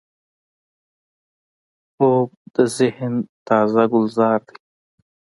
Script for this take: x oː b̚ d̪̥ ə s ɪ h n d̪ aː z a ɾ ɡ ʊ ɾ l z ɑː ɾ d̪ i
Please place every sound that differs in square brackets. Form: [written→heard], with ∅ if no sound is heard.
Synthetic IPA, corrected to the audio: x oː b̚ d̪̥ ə [s→z] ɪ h n [d̪→t̪] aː z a [ɾ→∅] ɡ ʊ [ɾ→∅] l z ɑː ɾ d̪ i